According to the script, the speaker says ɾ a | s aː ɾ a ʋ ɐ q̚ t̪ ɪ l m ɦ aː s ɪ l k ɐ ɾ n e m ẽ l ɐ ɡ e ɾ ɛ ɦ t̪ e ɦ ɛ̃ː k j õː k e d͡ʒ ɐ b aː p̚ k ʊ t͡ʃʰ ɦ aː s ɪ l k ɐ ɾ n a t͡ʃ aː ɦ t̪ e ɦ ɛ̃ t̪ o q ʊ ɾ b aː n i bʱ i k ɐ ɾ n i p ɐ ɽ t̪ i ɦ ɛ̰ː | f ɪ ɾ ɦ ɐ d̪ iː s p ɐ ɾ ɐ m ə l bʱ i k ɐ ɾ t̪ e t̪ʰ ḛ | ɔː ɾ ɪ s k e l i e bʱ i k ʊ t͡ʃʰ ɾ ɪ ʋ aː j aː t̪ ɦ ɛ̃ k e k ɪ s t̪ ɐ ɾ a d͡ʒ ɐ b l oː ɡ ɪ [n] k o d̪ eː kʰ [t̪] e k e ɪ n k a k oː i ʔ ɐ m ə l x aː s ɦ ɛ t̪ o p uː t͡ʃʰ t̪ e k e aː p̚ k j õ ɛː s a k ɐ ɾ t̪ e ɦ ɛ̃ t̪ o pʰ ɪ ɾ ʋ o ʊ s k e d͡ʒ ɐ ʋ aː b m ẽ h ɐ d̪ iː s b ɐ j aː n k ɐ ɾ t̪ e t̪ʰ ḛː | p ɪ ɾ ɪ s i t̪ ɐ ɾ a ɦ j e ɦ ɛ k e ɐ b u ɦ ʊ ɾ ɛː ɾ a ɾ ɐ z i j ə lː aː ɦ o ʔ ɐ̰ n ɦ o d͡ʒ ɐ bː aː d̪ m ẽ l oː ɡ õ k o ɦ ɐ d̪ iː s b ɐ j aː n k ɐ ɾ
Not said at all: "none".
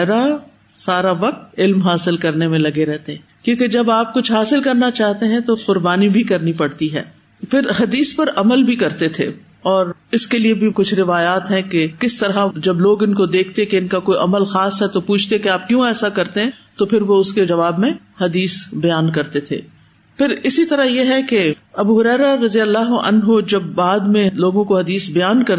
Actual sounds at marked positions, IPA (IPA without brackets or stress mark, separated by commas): n, t̪